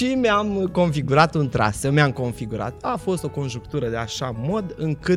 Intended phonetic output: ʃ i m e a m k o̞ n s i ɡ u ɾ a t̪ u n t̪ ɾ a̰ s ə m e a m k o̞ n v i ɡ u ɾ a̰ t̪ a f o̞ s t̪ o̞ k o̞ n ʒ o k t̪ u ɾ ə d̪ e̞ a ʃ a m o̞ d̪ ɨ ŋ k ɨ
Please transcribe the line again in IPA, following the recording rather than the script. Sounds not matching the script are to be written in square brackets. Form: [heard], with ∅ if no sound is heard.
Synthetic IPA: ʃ i m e a m k o̞ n [f] i ɡ u ɾ a t̪ u n t̪ ɾ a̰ s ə m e a m k o̞ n [f] i ɡ u ɾ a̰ t̪ a f o̞ s t̪ o̞ k o̞ n ʒ [u] k t̪ u ɾ ə d̪ e̞ a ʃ a m o̞ d̪ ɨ ŋ k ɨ